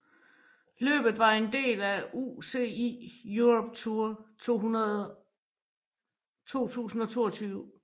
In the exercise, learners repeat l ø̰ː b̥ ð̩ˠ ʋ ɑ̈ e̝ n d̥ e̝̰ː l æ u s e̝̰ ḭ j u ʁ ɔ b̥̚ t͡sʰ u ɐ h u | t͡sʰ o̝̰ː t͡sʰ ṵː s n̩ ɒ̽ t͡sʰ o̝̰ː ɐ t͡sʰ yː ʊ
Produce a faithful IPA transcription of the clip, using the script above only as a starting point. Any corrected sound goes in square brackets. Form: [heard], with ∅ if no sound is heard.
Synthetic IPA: l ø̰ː b̥ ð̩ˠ ʋ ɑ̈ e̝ n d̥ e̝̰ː l æ u s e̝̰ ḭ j u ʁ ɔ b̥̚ t͡sʰ u ɐ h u | t͡sʰ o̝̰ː t͡sʰ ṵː s n̩ ɒ̽ t͡sʰ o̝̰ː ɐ t͡sʰ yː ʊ